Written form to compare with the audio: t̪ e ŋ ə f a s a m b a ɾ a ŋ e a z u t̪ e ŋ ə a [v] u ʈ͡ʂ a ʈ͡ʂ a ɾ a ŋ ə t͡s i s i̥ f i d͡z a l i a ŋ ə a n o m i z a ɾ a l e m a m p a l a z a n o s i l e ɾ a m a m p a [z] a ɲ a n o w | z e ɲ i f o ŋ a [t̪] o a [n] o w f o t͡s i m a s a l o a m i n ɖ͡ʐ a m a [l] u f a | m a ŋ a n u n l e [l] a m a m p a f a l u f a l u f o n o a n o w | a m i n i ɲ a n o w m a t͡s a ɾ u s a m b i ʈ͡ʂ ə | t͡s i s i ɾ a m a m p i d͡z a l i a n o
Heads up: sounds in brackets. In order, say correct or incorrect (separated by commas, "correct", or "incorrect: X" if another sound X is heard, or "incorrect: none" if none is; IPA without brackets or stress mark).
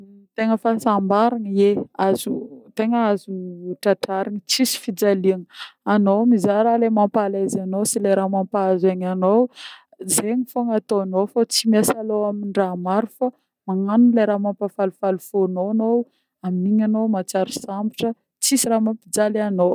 incorrect: z, correct, correct, correct, incorrect: ɾ, incorrect: ɾ